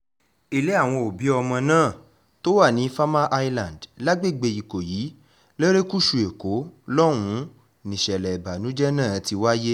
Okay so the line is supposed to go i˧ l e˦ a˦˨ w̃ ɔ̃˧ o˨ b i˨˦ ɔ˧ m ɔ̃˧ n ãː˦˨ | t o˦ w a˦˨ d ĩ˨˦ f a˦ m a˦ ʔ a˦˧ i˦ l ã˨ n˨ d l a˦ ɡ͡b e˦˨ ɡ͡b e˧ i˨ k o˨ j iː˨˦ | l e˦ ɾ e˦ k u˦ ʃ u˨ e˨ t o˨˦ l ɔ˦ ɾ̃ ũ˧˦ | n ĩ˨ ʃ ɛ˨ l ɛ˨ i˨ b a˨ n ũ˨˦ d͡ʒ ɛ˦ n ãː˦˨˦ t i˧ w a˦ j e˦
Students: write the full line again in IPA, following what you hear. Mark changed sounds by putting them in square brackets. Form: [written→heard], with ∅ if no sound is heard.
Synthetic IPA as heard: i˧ l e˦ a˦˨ w̃ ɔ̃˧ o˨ b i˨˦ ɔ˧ m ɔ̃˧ n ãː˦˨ | t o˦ w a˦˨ [d→n] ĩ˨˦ f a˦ m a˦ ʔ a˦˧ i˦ l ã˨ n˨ d l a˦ ɡ͡b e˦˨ ɡ͡b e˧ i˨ k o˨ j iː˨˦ | l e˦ ɾ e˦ k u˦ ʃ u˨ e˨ [t→k] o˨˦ l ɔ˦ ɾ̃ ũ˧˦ | n ĩ˨ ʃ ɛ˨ l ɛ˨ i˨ b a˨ n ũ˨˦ d͡ʒ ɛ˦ n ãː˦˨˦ t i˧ w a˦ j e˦